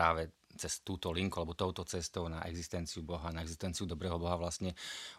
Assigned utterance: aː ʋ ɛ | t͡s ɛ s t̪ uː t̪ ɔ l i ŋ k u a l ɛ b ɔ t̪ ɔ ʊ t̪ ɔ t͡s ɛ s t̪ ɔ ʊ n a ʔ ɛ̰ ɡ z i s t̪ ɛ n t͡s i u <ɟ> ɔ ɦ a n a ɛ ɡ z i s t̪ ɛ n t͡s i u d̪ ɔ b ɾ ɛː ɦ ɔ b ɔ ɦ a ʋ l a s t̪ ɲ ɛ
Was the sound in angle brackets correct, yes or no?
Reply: no